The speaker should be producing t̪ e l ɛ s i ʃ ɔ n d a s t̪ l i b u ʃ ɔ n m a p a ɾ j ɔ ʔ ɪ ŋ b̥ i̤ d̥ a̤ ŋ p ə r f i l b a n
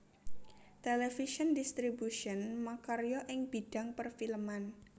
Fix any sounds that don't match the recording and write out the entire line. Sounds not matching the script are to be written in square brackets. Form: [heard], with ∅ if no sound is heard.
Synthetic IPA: t̪ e l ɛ [f] i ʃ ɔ n d [i] s t̪ [ɾ] i b u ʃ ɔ n m a [k] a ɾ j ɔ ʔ ɪ ŋ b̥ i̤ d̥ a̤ ŋ p ə r f i l [m] a n